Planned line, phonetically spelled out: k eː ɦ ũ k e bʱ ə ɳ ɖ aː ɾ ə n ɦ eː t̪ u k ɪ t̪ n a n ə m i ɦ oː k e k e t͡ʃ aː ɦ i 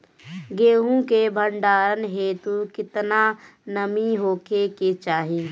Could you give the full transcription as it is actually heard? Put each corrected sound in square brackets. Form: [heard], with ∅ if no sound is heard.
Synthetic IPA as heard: [ɡ] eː ɦ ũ k e bʱ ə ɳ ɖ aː ɾ ə n ɦ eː t̪ u k ɪ t̪ n a n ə m i ɦ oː k e k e t͡ʃ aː ɦ i